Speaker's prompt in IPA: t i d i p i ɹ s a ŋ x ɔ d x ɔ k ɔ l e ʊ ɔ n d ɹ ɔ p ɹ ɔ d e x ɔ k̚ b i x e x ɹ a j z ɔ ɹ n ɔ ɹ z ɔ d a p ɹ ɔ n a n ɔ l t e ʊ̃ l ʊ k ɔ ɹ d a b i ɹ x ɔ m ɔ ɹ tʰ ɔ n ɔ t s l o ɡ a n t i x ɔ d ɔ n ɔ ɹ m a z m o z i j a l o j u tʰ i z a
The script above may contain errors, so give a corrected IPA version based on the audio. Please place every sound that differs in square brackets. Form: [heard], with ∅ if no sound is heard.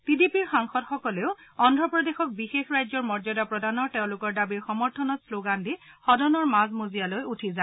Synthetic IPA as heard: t i d i p i ɹ [x] a ŋ x ɔ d x ɔ k ɔ l e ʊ ɔ n d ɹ ɔ p ɹ ɔ d e x ɔ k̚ b i x e x ɹ a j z ɔ ɹ [m] ɔ ɹ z ɔ d a p ɹ ɔ [d] a n ɔ [ɹ] t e ʊ̃ l ʊ k ɔ ɹ d a b i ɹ x ɔ m ɔ ɹ tʰ ɔ n ɔ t s l o ɡ a n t i x ɔ d ɔ n ɔ ɹ m a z m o z i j a l o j u tʰ i z a